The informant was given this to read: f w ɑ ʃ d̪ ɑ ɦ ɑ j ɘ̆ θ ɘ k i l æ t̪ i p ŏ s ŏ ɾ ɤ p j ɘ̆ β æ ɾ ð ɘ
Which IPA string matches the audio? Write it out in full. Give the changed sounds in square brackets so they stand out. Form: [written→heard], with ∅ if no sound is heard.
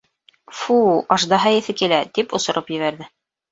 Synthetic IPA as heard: f [w→u] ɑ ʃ d̪ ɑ ɦ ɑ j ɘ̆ θ ɘ k i l æ t̪ i p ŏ s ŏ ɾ ɤ p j ɘ̆ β æ ɾ ð ɘ